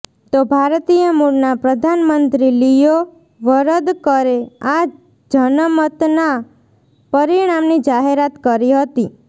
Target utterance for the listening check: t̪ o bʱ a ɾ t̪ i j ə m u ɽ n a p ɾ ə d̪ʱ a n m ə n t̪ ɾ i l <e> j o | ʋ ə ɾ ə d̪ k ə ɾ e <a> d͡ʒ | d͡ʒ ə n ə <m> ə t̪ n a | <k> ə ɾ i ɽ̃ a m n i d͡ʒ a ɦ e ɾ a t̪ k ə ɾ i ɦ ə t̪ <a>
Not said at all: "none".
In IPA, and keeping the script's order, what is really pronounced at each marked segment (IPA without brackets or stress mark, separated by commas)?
i, a, m, p, i